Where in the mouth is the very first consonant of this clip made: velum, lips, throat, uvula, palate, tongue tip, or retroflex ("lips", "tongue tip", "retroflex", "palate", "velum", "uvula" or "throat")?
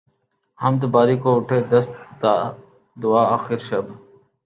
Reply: throat